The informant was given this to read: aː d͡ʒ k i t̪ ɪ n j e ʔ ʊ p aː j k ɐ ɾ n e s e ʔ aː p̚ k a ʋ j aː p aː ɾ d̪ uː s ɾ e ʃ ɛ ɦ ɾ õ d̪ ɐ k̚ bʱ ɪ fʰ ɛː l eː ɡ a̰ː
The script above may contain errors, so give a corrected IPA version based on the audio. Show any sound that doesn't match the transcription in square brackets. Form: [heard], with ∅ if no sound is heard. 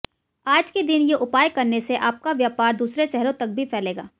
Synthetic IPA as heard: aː d͡ʒ k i [d̪] ɪ n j e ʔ ʊ p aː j k ɐ ɾ n e s e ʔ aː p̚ k a ʋ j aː p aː ɾ d̪ uː s ɾ e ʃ ɛ ɦ ɾ õ [t̪] ɐ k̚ bʱ [i] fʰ ɛː l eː ɡ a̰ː